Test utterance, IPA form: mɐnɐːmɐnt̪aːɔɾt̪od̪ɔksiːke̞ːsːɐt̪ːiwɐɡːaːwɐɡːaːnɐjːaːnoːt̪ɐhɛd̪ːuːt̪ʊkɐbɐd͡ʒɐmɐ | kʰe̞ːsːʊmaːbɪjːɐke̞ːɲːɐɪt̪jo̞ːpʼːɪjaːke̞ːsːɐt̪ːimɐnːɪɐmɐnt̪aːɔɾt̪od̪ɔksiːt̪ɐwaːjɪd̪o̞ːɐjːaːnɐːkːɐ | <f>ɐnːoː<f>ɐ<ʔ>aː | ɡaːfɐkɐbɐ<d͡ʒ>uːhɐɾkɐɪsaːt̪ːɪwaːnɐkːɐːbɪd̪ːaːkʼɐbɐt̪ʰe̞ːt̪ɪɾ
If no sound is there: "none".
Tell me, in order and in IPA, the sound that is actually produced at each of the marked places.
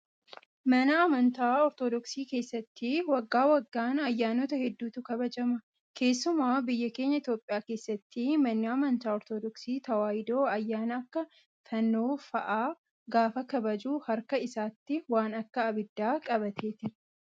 f, f, ʔ, d͡ʒ

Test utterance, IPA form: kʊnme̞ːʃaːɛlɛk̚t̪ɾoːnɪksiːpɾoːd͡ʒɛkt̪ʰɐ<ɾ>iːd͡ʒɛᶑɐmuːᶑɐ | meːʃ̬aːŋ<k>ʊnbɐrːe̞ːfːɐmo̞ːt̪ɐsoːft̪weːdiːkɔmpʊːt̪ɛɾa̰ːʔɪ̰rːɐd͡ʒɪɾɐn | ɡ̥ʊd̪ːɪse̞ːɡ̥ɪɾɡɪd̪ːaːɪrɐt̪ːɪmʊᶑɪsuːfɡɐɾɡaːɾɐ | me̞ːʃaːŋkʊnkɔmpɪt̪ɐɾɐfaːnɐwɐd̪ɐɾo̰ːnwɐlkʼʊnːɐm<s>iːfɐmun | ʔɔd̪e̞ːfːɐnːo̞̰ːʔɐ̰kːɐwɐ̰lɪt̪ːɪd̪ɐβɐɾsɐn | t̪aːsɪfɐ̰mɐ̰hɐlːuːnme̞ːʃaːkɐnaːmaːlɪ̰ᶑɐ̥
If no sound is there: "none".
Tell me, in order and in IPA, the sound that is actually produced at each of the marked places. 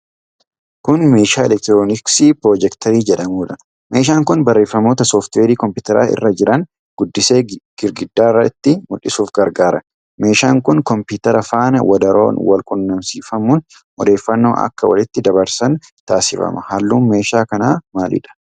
ɾ, k, s

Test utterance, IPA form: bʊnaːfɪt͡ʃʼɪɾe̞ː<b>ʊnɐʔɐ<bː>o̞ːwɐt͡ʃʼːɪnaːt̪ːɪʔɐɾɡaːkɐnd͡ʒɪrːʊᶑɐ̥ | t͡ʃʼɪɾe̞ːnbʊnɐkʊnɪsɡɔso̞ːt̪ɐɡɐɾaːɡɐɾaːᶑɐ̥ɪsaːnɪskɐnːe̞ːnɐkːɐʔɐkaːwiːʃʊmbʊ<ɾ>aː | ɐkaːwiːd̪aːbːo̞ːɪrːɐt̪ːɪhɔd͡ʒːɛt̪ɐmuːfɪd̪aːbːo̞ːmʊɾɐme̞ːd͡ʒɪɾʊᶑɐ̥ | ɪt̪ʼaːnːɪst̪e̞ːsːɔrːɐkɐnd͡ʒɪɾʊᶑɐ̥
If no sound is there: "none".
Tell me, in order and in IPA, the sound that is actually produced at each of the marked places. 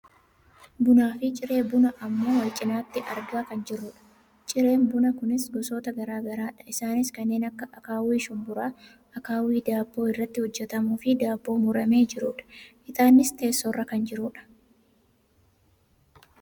b, mː, ɾ

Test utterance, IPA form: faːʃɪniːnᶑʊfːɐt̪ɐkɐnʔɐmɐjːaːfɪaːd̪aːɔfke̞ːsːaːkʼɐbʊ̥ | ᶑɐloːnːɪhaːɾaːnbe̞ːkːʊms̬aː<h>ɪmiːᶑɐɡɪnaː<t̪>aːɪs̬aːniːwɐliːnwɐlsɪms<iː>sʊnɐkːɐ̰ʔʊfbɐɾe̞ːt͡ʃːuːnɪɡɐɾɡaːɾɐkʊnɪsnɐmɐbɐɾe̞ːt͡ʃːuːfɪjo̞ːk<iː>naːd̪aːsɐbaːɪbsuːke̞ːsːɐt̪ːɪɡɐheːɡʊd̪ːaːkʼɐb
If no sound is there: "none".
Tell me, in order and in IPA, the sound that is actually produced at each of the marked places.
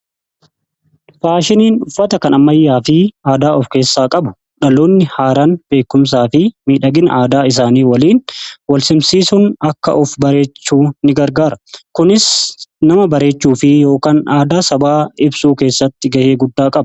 f, d̪, iː, aː

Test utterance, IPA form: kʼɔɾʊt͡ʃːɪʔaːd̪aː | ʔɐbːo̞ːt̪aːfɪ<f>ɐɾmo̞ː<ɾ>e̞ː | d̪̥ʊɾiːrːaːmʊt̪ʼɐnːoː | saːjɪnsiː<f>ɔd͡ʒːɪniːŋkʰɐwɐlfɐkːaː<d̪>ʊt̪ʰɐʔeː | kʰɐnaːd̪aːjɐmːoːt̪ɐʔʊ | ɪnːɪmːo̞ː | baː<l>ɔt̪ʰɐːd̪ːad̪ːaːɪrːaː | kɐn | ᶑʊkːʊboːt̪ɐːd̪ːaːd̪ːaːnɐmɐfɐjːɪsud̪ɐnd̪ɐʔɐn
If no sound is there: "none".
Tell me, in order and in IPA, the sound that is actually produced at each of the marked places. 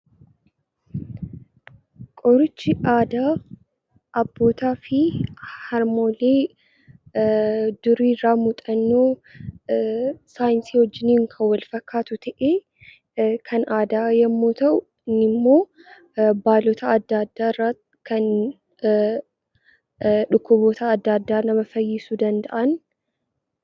h, l, h, t̪, l

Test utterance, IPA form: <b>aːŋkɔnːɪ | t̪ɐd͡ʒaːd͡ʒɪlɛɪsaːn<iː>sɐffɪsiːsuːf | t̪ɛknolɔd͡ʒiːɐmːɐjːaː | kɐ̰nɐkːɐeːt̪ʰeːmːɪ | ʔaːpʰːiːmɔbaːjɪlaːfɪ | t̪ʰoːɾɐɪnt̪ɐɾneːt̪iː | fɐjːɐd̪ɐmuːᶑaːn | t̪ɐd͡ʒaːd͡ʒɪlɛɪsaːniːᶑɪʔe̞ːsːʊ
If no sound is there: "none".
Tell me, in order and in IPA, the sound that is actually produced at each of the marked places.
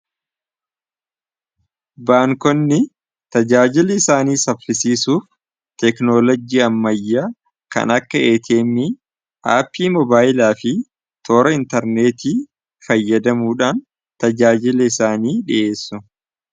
b, iː

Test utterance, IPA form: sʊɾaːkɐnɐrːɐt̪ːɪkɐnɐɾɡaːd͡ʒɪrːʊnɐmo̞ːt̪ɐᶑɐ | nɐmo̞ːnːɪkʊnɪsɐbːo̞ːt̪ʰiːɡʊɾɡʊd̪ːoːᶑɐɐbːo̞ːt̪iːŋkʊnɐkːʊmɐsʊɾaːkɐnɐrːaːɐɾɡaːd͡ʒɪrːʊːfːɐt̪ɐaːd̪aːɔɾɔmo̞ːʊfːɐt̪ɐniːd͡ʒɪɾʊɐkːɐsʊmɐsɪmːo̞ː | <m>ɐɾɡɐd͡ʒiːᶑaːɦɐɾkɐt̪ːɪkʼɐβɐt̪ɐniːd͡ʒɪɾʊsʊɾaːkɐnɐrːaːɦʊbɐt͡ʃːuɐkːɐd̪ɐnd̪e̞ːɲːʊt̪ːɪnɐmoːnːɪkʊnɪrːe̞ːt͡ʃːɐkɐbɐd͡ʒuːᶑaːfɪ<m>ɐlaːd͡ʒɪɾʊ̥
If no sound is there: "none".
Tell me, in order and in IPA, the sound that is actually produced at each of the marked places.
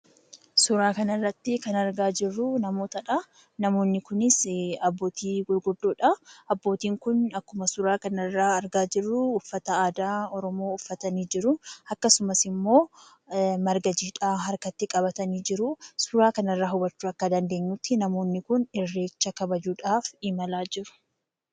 m, m

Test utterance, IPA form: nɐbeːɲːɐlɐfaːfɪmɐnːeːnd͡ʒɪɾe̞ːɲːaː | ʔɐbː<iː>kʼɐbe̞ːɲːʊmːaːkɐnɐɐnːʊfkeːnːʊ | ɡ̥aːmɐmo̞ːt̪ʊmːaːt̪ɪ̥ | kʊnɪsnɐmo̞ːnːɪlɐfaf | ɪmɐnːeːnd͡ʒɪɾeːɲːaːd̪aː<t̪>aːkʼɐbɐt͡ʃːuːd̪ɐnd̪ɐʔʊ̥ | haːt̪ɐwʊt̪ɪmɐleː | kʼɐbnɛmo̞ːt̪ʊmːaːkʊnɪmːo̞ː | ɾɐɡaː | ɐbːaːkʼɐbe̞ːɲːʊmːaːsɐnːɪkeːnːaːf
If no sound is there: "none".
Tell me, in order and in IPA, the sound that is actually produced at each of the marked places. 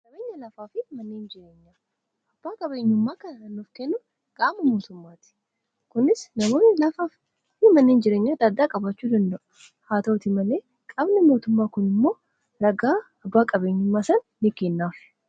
aː, d̪

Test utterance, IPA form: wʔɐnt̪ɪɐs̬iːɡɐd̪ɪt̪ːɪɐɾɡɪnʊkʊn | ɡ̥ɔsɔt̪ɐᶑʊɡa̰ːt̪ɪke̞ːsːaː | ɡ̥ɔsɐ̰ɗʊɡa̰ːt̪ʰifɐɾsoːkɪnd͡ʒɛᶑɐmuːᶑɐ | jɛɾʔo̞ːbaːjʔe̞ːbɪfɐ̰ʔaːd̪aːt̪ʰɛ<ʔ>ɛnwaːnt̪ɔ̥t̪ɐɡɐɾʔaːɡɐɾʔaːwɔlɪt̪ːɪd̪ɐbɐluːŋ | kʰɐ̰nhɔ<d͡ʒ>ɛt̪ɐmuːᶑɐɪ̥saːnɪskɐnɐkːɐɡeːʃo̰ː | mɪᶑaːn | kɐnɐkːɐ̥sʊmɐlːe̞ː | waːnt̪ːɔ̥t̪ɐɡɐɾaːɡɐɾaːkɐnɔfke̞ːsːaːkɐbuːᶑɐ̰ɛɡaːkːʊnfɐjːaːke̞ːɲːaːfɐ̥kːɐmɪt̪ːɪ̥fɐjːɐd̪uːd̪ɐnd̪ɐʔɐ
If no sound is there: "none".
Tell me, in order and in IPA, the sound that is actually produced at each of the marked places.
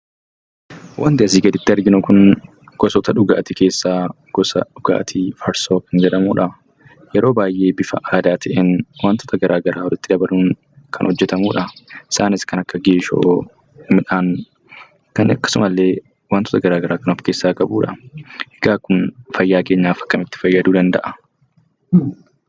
ʔ, d͡ʒː

